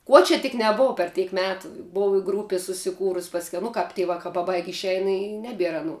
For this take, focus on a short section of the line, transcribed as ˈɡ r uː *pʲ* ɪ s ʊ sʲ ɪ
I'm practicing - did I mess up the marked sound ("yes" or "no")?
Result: no